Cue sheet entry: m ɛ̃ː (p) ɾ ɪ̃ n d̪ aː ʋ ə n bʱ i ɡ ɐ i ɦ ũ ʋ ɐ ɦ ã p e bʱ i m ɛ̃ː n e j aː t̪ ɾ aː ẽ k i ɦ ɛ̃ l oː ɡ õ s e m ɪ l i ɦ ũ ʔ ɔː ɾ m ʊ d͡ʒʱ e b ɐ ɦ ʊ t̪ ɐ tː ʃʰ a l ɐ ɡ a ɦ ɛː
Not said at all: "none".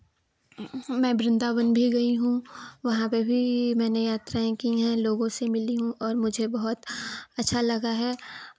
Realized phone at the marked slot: b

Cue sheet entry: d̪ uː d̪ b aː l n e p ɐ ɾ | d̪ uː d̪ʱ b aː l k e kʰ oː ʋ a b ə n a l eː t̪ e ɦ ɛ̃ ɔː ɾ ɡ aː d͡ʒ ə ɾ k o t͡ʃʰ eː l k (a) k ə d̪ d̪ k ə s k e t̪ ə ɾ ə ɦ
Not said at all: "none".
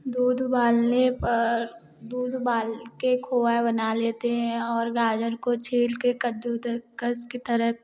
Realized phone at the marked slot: e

